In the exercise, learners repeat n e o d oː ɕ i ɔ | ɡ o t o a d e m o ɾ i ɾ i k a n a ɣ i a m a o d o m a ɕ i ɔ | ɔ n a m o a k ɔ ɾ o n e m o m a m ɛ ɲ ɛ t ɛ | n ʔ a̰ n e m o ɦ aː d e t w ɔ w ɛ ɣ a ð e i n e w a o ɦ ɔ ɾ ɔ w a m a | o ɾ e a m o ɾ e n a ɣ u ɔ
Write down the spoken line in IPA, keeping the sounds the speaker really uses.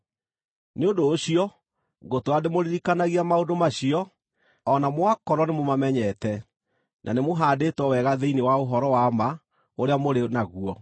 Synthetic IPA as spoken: n e o d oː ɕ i ɔ | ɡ o t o a d e m o ɾ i ɾ i k a n a ɣ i a m a o d o m a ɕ i ɔ | ɔ n a m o a k ɔ ɾ ɔ n e m o m a m ɛ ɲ ɛ t ɛ | n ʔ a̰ n e m o ɦ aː d e t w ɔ w ɛ ɣ a ð e i n e w a o ɦ ɔ ɾ ɔ w a m a | o ɾ e a m o ɾ e n a ɣ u ɔ